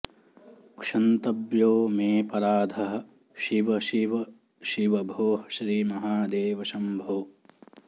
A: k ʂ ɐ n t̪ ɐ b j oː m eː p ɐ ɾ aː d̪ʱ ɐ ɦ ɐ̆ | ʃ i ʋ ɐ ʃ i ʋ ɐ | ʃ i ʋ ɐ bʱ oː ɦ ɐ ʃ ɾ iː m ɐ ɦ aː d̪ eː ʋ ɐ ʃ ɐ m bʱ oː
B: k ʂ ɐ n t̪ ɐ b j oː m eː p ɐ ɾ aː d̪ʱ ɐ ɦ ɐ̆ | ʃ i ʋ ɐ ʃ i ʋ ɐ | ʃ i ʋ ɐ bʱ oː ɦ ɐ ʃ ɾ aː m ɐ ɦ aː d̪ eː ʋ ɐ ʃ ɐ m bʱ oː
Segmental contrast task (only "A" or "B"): A